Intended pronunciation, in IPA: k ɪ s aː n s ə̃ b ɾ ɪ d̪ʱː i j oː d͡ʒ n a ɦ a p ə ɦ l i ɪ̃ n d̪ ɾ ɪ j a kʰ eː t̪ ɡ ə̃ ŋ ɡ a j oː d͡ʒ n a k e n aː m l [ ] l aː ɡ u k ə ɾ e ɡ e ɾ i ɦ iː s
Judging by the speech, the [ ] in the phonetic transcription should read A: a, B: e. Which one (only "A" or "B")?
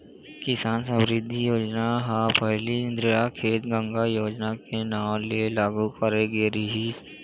B